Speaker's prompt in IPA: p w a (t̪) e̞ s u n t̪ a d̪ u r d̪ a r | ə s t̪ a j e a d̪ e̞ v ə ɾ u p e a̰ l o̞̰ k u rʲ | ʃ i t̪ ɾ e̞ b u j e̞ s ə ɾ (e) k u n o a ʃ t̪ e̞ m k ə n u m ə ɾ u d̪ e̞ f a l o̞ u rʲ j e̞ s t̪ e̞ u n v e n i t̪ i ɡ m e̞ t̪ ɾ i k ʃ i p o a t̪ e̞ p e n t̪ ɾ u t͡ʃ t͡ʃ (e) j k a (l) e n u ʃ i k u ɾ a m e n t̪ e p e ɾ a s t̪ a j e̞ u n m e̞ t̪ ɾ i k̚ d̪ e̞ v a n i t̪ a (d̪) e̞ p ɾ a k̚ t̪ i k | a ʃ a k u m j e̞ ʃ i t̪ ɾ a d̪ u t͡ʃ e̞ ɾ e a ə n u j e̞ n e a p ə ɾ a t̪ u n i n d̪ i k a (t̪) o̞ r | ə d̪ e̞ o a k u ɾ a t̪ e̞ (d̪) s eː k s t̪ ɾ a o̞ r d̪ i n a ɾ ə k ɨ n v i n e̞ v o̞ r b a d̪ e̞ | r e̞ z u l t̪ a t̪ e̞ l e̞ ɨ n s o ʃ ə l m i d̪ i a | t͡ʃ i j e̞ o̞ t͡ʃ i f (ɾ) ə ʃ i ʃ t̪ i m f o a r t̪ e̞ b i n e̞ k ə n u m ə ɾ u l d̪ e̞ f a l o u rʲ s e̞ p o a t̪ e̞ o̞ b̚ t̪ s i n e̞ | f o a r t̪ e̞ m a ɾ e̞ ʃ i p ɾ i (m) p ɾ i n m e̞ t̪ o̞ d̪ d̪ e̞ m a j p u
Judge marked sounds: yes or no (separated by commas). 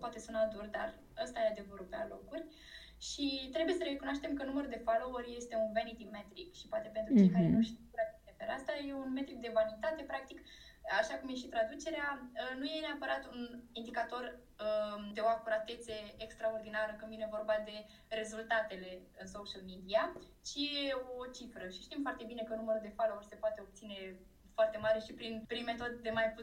yes, yes, yes, no, no, yes, no, yes, no